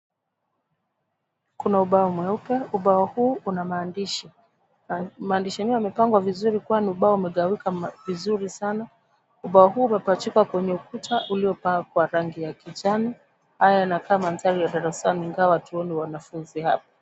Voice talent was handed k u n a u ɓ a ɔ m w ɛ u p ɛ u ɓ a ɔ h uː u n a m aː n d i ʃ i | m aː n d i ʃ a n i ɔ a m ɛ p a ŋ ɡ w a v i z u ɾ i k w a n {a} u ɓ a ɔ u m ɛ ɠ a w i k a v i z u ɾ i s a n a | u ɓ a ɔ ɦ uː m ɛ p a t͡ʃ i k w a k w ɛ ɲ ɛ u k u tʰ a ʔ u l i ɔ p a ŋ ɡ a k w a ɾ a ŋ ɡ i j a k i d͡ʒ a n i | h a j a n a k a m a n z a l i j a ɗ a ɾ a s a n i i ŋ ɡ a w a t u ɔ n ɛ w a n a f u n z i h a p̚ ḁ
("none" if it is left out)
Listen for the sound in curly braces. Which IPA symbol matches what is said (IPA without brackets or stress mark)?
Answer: i